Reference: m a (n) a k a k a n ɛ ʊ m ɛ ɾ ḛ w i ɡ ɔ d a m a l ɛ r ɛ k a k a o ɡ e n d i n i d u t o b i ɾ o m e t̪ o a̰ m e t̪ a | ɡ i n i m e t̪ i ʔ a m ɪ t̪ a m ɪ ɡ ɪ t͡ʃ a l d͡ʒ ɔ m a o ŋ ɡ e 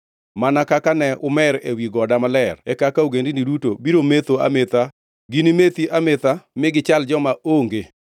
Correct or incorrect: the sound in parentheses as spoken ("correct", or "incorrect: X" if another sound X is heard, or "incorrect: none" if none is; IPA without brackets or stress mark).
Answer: correct